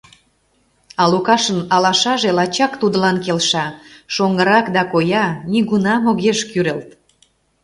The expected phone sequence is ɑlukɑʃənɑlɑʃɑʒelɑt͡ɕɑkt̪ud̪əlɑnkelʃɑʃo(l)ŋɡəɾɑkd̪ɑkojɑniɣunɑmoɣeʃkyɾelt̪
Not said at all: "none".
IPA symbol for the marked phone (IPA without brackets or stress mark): none